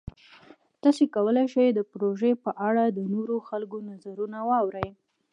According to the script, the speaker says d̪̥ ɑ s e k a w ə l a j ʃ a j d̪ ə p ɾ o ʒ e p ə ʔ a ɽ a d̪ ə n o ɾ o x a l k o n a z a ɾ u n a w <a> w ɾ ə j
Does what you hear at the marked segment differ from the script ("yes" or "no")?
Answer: yes